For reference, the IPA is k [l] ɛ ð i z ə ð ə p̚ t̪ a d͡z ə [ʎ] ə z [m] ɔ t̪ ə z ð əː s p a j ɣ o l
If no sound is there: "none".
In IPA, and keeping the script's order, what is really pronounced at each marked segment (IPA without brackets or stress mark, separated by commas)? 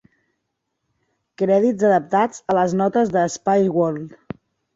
ɾ, l, n